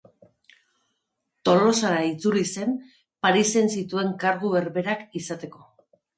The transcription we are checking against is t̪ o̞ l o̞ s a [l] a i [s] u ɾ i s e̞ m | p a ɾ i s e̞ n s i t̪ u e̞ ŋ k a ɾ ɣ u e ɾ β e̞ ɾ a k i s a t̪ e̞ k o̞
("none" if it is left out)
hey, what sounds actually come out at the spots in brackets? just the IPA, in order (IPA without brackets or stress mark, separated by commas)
ɾ, t͡s